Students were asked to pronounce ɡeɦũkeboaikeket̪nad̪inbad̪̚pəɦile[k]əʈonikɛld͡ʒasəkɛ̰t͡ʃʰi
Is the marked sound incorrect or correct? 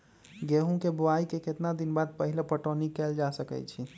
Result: incorrect